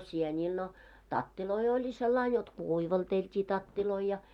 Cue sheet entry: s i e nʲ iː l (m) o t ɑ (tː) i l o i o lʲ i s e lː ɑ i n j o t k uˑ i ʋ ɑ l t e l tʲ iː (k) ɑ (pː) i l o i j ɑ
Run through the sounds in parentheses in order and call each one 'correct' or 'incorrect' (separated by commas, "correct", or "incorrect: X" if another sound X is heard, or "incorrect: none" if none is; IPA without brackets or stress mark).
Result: incorrect: n, correct, incorrect: t, incorrect: tː